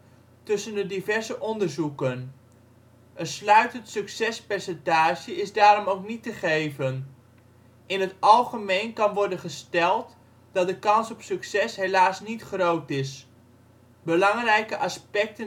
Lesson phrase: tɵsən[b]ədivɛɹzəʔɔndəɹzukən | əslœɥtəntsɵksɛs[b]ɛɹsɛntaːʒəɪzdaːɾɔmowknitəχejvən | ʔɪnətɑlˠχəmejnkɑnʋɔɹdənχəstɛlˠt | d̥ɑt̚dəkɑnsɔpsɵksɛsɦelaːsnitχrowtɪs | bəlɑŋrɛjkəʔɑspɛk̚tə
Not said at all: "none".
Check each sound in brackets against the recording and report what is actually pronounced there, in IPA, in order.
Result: d, p

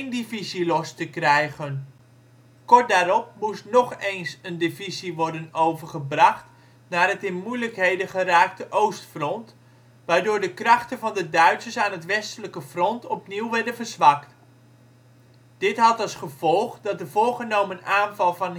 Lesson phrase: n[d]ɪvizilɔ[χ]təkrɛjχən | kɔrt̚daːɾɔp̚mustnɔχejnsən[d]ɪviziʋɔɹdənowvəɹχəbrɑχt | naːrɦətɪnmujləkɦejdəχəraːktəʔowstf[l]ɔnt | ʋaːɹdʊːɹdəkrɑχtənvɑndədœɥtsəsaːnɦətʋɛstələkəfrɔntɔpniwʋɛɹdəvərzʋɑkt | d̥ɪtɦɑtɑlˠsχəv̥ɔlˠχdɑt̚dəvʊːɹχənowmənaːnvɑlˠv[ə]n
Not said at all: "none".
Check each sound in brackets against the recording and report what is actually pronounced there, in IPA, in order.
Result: d, s, d, r, ɑ

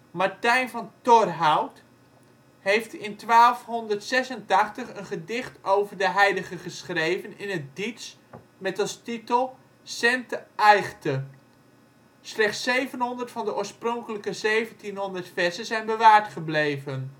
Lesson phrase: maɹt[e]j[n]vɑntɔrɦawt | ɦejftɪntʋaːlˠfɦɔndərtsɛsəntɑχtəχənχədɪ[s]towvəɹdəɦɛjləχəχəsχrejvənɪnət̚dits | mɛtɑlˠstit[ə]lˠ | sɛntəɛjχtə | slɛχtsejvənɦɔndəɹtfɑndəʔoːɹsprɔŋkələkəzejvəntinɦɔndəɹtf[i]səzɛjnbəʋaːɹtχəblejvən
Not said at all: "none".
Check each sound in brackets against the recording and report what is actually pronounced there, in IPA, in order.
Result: ɛ, n, χ, ə, ɛ

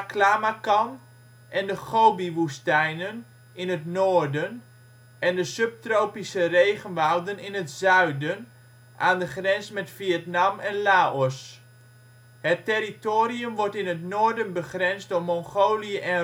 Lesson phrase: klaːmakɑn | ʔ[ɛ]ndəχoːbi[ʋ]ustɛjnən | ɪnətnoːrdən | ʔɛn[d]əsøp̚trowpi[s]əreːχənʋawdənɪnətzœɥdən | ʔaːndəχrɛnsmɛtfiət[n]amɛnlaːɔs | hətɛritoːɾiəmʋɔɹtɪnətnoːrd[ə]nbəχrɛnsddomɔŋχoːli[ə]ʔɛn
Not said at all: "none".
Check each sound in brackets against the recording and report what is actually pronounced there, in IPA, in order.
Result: ɛ, ʋ, d, s, n, ə, ə

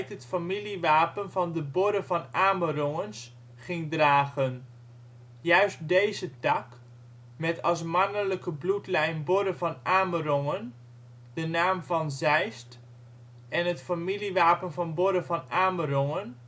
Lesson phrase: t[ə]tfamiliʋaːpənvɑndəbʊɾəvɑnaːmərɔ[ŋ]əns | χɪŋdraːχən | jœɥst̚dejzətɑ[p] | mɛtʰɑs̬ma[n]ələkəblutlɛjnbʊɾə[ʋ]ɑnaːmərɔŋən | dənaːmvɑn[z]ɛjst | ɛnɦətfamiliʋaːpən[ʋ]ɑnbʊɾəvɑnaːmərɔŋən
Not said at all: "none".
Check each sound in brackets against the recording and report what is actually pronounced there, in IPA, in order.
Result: ə, ŋ, k, n, v, z, v

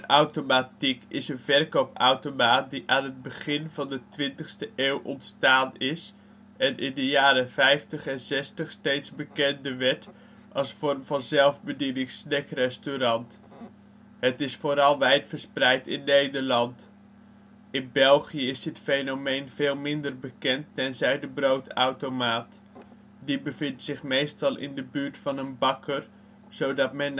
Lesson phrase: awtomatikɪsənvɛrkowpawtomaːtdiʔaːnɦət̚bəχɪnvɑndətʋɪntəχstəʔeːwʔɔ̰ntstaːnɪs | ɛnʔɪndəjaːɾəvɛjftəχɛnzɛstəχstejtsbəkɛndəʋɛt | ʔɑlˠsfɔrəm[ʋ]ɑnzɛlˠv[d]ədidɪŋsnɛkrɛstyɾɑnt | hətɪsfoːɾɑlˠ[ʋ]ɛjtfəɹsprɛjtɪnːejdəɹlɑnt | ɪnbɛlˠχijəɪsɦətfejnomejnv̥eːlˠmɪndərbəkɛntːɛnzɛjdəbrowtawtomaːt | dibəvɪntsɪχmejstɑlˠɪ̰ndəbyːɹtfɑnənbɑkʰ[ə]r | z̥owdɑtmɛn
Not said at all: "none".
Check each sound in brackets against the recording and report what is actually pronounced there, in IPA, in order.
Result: v, b, ʋ, ə

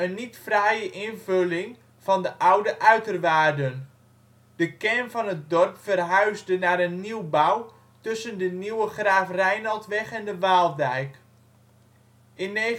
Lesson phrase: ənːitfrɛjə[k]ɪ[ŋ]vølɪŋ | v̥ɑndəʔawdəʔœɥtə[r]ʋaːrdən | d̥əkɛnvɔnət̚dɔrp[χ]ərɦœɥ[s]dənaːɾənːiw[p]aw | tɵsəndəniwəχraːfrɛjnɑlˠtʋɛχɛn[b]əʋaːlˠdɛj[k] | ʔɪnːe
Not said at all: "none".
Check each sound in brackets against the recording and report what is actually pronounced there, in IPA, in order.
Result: ʔ, n, r, f, z, b, d, k

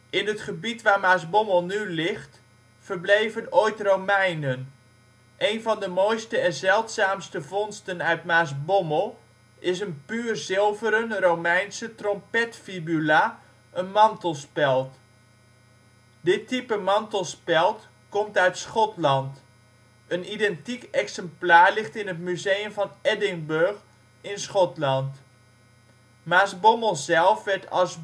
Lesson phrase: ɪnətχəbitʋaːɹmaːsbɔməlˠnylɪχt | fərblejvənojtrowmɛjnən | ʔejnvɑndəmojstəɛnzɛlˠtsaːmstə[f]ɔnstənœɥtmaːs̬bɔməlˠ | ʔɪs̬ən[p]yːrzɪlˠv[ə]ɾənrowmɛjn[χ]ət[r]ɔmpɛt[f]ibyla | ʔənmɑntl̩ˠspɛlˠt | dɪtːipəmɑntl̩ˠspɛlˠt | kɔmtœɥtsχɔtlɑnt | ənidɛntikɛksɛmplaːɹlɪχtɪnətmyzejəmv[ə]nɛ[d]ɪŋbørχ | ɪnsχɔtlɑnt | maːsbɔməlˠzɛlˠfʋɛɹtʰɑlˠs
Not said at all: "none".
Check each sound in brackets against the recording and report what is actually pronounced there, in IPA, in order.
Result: v, p, ə, s, r, f, ɑ, d

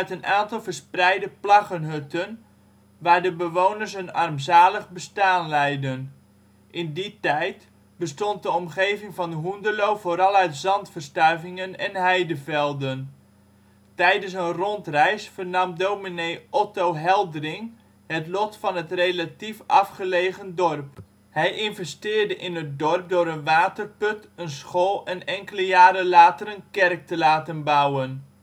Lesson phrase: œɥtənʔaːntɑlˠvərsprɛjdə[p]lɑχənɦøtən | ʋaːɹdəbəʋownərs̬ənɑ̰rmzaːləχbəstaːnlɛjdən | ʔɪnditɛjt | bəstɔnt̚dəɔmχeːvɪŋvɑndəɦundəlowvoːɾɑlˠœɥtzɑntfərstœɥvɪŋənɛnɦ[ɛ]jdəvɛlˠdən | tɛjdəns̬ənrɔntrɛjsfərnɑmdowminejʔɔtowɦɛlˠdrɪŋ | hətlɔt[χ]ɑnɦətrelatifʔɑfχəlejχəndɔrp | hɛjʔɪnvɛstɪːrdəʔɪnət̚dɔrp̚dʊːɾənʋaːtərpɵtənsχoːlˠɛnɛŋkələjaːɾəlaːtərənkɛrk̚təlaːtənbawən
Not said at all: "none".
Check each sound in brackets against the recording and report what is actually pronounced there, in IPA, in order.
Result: p, ɛ, f

